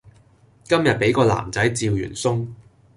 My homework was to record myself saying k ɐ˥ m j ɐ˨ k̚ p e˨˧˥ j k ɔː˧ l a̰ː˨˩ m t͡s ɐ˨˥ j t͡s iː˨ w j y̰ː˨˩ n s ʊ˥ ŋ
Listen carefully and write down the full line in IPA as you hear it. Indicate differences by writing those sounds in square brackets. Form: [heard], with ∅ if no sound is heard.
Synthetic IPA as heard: k ɐ˥ m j ɐ˨ [t̚] p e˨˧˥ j k ɔː˧ l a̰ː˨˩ m t͡s ɐ˨˥ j t͡s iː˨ w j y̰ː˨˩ n s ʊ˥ ŋ

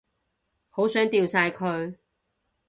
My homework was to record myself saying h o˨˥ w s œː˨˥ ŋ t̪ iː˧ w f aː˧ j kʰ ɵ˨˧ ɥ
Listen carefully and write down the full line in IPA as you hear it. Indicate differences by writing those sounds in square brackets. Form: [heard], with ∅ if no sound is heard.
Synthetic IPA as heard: h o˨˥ w s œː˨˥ ŋ t̪ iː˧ w [s] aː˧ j kʰ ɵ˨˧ ɥ

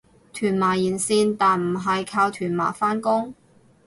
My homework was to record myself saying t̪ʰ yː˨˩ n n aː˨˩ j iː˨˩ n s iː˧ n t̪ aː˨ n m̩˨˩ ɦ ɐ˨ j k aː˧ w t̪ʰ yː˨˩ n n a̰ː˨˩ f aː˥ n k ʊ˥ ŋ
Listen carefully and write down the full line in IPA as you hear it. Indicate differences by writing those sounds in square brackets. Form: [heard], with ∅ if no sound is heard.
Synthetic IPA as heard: t̪ʰ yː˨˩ n [m] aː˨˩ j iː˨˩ n s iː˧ n t̪ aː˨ n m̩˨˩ ɦ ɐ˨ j [kʰ] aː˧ w t̪ʰ yː˨˩ n [m] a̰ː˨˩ f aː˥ n k ʊ˥ ŋ

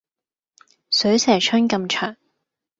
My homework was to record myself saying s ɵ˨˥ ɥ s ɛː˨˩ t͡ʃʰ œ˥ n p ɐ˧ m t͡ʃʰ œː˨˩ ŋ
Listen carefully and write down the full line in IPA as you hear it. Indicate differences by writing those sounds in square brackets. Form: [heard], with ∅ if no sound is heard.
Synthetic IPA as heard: s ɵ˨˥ ɥ s ɛː˨˩ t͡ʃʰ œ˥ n [k] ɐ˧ m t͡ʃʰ œː˨˩ ŋ

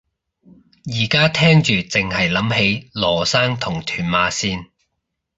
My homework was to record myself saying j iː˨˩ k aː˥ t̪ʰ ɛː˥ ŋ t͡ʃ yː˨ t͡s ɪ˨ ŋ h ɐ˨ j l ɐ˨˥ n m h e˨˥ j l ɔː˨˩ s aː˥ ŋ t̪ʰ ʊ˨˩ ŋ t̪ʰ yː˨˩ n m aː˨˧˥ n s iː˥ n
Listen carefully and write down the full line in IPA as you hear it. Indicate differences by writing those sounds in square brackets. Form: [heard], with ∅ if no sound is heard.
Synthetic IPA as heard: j iː˨˩ k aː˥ t̪ʰ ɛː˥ ŋ t͡ʃ yː˨ t͡s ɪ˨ ŋ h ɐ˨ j l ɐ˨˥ [∅] m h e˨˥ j l ɔː˨˩ s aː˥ ŋ t̪ʰ ʊ˨˩ ŋ t̪ʰ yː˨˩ n m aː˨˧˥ [∅] s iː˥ n

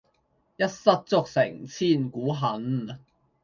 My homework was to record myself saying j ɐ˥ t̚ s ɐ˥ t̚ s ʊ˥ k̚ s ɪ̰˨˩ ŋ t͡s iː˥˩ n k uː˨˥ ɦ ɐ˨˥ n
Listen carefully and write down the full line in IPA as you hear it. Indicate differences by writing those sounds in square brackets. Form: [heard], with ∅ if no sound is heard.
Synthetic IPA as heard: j ɐ˥ t̚ s ɐ˥ t̚ [t͡s] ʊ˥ k̚ s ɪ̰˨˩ ŋ [t͡sʰ] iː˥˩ n k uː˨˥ ɦ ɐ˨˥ n

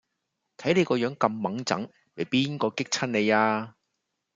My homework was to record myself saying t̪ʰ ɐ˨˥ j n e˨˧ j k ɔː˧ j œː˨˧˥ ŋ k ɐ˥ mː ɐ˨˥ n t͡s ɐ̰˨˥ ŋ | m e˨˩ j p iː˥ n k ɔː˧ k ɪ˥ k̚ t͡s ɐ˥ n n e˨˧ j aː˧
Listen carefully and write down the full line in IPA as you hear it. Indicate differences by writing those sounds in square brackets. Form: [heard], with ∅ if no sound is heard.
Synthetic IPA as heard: t̪ʰ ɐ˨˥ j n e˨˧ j k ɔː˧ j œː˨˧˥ ŋ k [ɐ˧] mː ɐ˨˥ [ŋ] t͡s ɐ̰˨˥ ŋ | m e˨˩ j p iː˥ n k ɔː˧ k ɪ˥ k̚ [t͡sʰ] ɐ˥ n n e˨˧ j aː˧

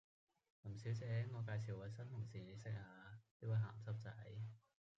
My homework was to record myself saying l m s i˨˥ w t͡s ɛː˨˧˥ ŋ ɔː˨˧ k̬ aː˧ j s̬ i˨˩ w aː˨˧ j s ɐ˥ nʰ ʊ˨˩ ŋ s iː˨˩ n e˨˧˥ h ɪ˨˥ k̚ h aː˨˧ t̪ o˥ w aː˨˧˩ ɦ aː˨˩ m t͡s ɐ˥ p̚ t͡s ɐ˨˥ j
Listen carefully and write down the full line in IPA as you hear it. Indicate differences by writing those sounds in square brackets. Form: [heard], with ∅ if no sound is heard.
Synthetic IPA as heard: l m s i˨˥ w t͡s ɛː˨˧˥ ŋ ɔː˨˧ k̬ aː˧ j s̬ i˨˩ w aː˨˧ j s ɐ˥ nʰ ʊ˨˩ ŋ s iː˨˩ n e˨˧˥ [s] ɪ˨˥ k̚ h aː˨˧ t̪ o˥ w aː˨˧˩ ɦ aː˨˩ m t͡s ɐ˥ p̚ t͡s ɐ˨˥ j

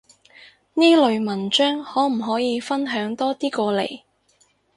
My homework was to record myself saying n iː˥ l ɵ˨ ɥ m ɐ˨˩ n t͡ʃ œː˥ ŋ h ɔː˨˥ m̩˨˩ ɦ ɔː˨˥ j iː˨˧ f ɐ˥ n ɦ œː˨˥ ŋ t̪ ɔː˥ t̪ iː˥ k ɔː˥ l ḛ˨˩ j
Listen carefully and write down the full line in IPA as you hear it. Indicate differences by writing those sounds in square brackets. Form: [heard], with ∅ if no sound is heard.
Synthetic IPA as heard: n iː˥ l ɵ˨ ɥ m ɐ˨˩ n t͡ʃ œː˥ ŋ h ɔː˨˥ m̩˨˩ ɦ ɔː˨˥ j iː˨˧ f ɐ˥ n ɦ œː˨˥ ŋ t̪ ɔː˥ t̪ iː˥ k [ɔː˧] l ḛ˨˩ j

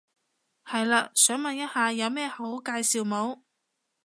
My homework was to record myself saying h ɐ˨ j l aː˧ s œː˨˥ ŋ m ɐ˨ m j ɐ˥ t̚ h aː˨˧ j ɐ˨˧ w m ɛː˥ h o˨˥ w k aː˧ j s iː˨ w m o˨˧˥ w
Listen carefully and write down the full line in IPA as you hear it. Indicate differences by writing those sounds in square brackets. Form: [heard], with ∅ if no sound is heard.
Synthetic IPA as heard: h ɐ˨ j l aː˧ s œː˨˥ ŋ m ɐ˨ [n] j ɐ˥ t̚ h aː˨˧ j ɐ˨˧ w m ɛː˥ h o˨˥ w k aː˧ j s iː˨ w m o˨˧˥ w

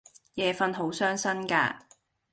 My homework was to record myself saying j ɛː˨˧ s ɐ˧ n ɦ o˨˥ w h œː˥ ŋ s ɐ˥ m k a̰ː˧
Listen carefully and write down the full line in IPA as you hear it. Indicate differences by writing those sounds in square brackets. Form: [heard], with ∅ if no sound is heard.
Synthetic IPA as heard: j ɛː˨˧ [f] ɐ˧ n ɦ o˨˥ w [s] œː˥ ŋ s ɐ˥ [n] k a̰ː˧

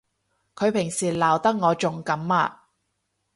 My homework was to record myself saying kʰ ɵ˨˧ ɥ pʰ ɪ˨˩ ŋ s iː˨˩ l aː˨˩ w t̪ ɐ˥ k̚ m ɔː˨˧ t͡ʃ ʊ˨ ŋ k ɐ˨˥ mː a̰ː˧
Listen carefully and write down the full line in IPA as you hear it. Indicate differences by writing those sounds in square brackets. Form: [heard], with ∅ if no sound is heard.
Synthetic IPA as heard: kʰ ɵ˨˧ ɥ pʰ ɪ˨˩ ŋ s iː˨˩ l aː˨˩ w t̪ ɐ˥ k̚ [ŋ] ɔː˨˧ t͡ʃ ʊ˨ ŋ k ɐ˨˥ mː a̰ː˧

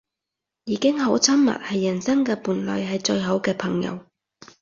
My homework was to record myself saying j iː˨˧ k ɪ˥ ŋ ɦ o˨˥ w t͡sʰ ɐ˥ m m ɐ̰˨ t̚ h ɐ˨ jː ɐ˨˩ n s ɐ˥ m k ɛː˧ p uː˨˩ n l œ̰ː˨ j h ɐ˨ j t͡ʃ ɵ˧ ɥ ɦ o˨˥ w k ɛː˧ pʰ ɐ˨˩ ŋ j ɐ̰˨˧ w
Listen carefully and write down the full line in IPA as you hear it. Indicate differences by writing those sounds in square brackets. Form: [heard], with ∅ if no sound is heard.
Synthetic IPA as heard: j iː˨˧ k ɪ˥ ŋ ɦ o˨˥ w t͡sʰ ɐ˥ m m ɐ̰˨ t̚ h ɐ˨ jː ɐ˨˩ n s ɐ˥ [ŋ] k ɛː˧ p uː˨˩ n l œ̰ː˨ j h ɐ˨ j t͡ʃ ɵ˧ ɥ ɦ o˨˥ w k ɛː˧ pʰ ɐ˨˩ ŋ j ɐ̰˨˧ w

